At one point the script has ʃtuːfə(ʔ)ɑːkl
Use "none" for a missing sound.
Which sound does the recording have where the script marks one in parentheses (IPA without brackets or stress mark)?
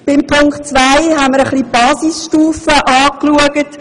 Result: ʔ